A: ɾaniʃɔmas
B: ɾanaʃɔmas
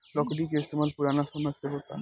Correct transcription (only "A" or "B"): B